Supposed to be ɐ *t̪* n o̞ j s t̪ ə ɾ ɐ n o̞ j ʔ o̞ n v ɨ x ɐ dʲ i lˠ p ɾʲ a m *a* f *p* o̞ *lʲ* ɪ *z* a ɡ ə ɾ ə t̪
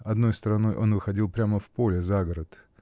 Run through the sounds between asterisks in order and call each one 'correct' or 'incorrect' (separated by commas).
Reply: incorrect, incorrect, correct, correct, correct